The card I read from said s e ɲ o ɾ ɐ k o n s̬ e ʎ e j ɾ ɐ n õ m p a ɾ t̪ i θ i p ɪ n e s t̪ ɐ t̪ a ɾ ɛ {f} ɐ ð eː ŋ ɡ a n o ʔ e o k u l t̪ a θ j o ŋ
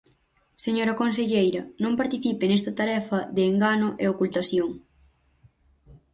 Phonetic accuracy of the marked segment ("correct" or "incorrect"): correct